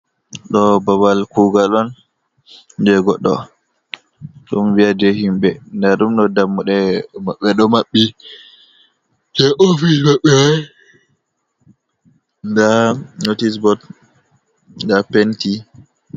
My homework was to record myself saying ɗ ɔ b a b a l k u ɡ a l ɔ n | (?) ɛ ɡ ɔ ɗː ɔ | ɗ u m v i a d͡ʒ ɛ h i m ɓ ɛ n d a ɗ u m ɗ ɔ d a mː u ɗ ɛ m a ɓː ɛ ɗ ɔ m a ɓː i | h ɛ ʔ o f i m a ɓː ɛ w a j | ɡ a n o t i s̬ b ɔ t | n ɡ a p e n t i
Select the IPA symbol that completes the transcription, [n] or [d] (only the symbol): d